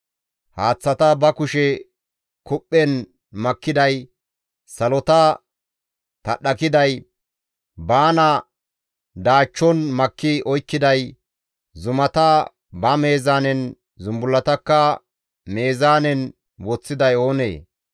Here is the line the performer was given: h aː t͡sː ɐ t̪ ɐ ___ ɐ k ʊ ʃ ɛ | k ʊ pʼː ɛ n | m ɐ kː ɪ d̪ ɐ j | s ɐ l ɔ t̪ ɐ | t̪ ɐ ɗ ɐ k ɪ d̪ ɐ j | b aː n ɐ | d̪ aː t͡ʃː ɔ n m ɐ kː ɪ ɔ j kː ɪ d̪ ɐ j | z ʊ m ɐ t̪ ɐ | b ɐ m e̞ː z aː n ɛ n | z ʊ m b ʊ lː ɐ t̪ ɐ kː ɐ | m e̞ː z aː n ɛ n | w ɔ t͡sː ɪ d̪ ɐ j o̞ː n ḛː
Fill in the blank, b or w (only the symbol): b